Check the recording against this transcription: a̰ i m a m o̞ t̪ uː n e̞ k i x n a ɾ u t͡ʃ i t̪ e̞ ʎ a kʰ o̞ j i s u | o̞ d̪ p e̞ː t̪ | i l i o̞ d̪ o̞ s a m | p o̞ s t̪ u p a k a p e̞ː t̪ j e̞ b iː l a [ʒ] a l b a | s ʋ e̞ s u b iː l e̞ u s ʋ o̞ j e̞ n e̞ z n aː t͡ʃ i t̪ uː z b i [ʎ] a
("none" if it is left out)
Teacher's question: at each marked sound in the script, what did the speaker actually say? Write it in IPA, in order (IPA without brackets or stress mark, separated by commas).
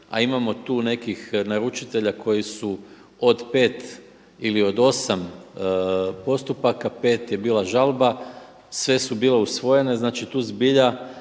ʒ, ʎ